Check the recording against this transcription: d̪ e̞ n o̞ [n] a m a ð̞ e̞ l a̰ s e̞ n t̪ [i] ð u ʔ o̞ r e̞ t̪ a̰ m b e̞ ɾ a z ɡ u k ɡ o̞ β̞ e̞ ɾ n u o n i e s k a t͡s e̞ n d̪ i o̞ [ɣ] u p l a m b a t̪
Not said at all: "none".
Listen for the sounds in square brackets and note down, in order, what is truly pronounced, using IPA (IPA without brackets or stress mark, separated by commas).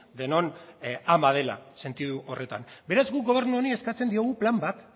n, i, ɣ